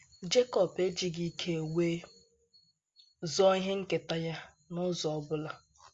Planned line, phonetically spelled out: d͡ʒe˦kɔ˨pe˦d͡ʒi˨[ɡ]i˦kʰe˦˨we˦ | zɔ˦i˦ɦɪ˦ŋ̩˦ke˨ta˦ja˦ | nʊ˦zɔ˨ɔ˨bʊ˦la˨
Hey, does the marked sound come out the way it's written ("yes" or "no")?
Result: yes